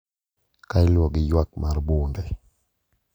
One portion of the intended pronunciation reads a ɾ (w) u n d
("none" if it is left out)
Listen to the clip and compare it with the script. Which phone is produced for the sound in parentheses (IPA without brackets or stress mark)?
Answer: b